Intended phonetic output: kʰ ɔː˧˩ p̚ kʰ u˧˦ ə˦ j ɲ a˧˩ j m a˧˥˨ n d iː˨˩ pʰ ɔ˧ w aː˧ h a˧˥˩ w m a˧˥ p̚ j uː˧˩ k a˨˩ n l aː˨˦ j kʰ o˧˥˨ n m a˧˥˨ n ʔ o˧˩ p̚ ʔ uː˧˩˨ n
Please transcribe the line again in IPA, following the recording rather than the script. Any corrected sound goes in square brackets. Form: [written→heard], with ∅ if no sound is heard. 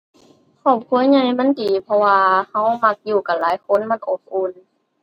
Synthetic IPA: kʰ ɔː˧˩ p̚ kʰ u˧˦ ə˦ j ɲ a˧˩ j m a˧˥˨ n d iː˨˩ pʰ ɔ˧ w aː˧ h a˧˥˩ w m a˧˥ [p̚→k̚] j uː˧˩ k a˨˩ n l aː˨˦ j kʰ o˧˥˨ n m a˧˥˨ n ʔ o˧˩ p̚ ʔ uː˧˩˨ n